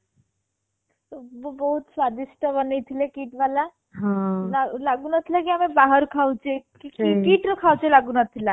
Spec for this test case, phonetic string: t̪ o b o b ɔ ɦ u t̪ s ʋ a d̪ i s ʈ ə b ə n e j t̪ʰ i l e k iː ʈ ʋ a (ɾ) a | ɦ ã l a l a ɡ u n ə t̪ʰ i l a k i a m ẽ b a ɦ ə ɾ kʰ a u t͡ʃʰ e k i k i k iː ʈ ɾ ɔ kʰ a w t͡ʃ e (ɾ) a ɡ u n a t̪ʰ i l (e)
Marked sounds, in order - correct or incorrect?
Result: incorrect: l, incorrect: l, incorrect: a

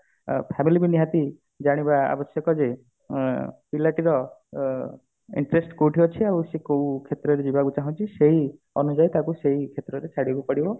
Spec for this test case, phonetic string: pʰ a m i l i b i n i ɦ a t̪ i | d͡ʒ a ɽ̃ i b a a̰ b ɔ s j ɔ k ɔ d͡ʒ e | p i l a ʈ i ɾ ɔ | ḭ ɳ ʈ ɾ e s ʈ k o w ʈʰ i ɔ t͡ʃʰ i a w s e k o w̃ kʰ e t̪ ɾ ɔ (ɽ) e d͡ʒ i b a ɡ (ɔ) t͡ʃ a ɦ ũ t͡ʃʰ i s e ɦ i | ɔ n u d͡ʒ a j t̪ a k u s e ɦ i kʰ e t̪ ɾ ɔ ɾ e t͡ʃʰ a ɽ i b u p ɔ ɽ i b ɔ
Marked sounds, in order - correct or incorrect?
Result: incorrect: ɾ, incorrect: u

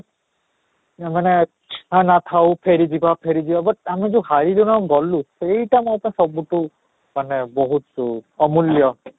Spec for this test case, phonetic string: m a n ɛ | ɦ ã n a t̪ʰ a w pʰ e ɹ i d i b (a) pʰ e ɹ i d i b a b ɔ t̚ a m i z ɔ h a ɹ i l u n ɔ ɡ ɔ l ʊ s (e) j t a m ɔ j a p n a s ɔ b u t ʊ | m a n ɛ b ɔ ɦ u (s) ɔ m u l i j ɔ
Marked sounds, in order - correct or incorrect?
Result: correct, correct, incorrect: t

